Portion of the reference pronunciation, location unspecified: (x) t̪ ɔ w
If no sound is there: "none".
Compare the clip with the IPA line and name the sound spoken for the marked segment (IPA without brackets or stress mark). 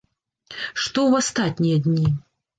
ʂ